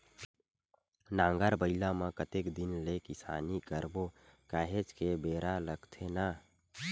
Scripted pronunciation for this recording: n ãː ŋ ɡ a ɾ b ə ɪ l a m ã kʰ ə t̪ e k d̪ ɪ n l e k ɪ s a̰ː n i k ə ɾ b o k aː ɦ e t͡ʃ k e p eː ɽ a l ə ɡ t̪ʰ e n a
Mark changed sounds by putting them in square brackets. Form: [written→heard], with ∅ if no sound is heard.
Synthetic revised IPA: n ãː ŋ ɡ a ɾ b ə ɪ l a m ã [kʰ→k] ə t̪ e k d̪ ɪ n l e k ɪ s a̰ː n i k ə ɾ b o k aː ɦ e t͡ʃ k e [p→b] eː [ɽ→ɾ] a l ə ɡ t̪ʰ e n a